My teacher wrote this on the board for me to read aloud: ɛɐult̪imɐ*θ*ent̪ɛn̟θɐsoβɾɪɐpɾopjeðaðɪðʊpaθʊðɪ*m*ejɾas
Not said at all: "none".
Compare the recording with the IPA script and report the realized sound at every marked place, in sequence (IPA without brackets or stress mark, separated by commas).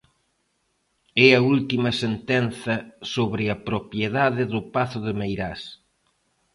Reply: s, m